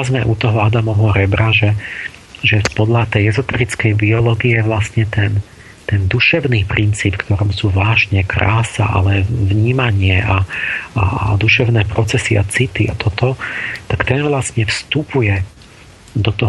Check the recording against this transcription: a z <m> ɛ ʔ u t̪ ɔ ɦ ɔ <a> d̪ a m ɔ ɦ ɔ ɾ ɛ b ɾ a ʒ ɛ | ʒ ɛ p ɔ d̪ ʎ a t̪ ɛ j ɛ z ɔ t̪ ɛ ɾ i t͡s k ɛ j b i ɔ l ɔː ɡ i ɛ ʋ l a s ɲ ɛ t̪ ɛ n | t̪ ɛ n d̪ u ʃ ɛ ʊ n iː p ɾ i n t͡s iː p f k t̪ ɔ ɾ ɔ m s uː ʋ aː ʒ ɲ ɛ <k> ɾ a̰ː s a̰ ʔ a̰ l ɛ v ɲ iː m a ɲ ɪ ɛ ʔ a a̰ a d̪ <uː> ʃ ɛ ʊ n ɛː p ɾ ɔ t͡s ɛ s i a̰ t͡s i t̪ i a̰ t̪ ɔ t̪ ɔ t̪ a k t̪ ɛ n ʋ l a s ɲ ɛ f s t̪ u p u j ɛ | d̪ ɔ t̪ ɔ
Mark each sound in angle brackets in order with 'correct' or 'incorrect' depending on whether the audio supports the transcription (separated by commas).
correct, correct, correct, incorrect